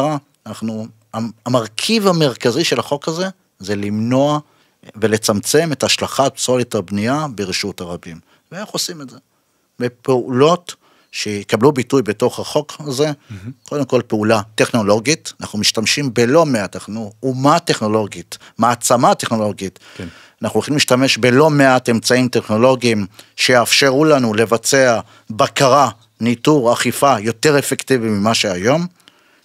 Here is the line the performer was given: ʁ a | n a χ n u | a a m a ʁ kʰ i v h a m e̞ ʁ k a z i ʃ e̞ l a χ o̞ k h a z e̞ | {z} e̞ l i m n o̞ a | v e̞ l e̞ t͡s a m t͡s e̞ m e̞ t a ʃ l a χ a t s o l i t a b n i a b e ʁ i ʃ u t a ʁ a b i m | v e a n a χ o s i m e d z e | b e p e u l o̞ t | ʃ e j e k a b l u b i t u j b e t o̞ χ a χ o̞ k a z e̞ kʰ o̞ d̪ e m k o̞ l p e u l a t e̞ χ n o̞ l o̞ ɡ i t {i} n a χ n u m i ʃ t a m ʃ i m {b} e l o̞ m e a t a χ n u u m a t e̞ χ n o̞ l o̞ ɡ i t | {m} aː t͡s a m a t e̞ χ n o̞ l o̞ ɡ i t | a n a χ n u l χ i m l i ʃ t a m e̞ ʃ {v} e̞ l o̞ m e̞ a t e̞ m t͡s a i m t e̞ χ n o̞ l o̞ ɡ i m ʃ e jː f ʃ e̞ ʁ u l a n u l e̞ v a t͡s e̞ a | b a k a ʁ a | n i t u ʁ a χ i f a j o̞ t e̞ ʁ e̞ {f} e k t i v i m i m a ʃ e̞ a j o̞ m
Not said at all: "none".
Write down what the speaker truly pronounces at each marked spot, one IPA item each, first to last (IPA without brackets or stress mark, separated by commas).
z, a, b, m, b, f